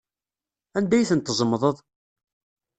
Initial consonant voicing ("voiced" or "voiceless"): voiced